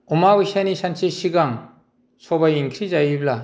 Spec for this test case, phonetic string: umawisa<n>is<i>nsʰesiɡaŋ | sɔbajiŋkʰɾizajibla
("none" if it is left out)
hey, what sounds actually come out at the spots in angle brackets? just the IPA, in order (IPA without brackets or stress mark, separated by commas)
n, a